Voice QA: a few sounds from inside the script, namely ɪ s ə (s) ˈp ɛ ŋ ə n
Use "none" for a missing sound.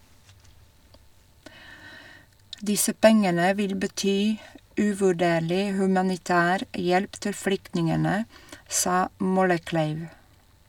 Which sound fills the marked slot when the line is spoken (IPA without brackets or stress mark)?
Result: none